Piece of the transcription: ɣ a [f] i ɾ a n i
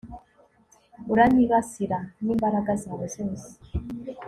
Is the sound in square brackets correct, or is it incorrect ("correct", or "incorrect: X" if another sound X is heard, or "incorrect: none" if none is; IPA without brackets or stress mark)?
incorrect: s